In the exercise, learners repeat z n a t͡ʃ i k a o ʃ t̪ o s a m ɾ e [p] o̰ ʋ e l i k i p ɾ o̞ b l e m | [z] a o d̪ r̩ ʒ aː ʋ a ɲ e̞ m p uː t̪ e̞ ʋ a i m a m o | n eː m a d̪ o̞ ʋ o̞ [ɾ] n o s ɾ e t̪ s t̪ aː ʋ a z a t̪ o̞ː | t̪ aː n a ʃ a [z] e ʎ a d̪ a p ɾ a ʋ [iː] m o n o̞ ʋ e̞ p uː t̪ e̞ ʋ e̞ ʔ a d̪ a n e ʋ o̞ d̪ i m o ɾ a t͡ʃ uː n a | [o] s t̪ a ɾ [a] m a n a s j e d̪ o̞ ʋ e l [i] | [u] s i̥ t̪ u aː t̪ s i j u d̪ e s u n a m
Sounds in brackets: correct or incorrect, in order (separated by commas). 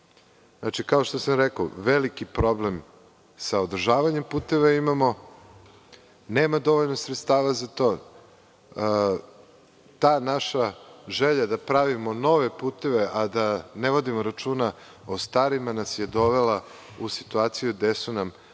incorrect, incorrect, incorrect, incorrect, incorrect, correct, incorrect, incorrect, correct